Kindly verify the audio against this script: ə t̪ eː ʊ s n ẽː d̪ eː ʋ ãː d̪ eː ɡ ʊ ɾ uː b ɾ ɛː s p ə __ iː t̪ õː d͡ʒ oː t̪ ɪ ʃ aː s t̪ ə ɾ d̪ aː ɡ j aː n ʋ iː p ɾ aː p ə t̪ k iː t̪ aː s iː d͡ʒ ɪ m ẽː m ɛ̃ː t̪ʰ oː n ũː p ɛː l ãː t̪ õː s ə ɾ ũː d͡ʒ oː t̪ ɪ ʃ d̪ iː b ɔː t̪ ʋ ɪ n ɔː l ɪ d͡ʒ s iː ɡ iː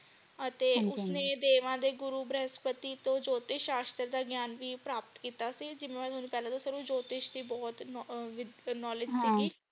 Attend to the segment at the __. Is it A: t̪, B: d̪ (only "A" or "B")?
A